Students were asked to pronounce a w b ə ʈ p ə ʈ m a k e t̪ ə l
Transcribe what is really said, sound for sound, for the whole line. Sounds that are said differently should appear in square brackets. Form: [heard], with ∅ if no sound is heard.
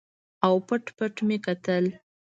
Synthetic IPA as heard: a w [p] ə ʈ p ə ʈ m [e] k [a] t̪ ə l